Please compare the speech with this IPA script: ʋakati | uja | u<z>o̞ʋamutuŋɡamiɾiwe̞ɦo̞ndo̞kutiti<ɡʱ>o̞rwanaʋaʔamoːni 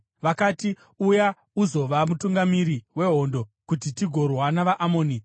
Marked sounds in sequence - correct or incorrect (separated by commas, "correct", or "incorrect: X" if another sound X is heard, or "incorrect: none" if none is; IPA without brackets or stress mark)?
correct, correct